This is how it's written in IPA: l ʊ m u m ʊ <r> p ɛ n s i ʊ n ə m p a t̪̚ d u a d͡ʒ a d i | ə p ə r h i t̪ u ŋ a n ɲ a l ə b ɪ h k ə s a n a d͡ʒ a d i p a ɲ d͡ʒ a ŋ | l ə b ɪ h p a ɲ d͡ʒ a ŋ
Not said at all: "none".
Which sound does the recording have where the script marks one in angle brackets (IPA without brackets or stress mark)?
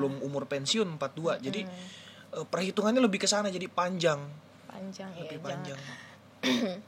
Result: r